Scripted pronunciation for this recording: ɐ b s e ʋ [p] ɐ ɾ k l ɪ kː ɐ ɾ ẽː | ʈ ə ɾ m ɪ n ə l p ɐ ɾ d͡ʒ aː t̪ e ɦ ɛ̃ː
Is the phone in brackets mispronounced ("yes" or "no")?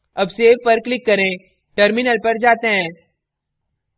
no